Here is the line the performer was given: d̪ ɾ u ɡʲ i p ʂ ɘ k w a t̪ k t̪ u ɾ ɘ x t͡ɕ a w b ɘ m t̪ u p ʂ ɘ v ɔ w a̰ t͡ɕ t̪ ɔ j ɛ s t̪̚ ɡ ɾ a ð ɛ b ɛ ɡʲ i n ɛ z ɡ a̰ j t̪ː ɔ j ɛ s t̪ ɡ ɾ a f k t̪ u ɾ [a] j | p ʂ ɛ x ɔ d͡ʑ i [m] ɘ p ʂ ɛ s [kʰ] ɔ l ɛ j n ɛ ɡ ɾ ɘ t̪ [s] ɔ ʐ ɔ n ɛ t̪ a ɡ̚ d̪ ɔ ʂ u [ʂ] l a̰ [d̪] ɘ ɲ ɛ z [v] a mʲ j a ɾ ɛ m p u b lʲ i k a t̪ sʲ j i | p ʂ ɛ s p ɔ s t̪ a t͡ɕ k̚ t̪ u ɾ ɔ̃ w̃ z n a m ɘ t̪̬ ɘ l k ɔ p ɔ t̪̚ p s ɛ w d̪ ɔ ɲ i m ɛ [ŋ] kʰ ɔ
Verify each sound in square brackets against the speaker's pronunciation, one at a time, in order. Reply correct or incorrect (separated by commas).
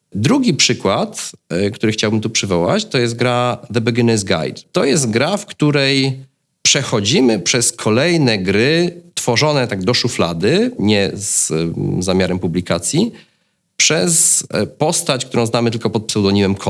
incorrect, correct, correct, incorrect, incorrect, correct, incorrect, incorrect